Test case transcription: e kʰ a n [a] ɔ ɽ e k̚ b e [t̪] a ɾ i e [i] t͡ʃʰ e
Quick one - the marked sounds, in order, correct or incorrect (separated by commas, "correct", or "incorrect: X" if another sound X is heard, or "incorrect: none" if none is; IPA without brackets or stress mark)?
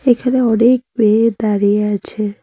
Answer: incorrect: e, incorrect: d̪, incorrect: a